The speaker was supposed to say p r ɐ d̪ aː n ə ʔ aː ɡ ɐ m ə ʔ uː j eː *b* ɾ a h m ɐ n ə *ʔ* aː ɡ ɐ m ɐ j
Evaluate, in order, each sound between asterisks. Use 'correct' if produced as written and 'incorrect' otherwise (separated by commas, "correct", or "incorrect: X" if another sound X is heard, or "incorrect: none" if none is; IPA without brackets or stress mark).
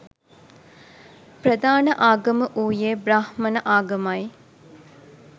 correct, correct